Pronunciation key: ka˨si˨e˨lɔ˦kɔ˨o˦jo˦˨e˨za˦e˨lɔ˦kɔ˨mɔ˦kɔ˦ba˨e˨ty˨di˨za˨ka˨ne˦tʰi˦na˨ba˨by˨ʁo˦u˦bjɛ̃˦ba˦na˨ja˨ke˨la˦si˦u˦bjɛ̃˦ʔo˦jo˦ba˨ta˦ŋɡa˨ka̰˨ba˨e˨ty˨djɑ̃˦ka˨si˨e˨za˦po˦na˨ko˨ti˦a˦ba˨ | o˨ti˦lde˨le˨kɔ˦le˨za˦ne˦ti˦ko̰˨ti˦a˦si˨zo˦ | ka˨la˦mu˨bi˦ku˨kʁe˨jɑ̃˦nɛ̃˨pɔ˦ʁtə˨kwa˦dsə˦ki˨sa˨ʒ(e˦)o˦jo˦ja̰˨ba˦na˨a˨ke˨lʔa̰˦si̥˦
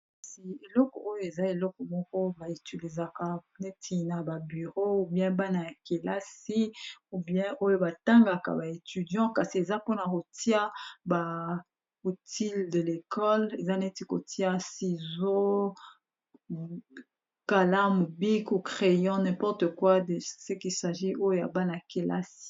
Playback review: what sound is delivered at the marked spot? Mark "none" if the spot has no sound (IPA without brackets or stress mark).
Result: i˦